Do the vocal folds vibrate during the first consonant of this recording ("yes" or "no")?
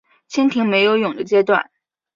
no